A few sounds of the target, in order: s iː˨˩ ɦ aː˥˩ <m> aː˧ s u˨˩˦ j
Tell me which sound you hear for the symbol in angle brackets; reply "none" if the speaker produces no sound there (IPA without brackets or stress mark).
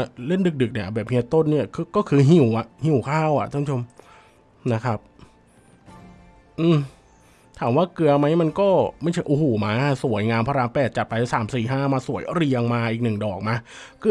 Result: m